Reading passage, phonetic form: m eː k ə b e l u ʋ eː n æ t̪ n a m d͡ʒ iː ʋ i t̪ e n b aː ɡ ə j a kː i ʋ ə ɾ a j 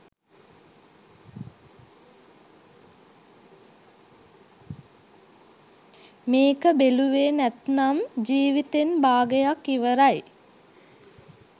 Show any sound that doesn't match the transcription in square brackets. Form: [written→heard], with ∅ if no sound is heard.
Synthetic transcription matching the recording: m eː k ə b e l u ʋ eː n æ t̪ n a m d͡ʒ iː ʋ i t̪ e n b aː ɡ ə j a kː i ʋ ə ɾ a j